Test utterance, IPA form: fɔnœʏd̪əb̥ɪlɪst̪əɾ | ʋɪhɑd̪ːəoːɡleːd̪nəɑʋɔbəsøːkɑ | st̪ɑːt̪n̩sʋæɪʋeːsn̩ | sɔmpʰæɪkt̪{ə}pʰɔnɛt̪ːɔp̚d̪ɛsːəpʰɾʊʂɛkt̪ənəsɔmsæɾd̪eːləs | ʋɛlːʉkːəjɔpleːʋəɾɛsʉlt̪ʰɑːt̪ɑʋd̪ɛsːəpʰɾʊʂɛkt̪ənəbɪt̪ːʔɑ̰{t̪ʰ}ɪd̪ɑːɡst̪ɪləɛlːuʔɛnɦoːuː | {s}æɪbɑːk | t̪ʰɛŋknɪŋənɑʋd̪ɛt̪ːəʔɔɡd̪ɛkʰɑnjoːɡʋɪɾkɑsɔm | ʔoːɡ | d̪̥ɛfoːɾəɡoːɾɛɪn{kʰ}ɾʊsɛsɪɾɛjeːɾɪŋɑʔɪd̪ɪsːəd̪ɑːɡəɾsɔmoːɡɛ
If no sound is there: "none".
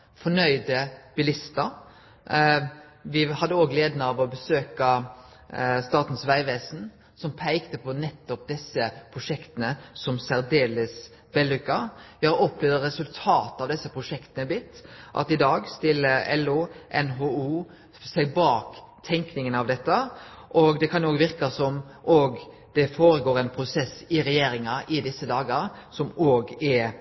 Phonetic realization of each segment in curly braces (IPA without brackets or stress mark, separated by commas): ə, t̪, s, pʰ